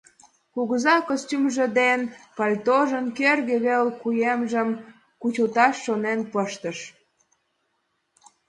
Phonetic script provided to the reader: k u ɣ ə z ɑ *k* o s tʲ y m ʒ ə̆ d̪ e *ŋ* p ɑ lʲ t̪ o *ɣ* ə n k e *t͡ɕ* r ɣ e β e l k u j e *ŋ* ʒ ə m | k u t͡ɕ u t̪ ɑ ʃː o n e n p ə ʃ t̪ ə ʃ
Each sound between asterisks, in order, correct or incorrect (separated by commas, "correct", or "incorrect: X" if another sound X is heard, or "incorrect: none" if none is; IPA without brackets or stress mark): correct, incorrect: n, incorrect: ʒ, incorrect: none, incorrect: m